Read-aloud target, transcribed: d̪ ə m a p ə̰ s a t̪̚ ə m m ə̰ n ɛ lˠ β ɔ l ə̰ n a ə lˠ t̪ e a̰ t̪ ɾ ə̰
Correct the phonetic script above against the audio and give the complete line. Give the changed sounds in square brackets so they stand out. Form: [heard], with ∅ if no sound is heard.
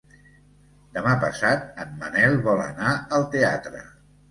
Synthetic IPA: d̪ ə m a p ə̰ s a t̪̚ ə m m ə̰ n ɛ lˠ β ɔ l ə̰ n a ə lˠ t̪ e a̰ t̪ ɾ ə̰